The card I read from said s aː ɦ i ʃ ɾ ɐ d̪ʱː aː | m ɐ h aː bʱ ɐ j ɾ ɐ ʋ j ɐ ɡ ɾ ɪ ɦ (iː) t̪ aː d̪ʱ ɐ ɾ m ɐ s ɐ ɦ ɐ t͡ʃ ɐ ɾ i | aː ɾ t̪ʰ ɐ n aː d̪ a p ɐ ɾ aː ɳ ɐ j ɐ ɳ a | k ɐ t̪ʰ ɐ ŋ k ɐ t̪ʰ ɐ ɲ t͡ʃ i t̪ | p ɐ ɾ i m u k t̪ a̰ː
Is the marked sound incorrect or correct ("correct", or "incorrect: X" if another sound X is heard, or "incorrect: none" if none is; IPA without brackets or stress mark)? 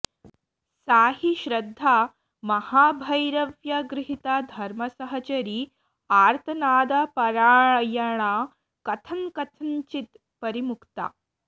incorrect: i